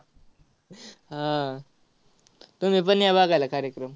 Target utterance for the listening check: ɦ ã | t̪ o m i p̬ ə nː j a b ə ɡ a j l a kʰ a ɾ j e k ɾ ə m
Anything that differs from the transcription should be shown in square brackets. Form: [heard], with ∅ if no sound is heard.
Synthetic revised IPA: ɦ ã | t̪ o m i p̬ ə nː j a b [a] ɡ a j l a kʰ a ɾ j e k ɾ ə m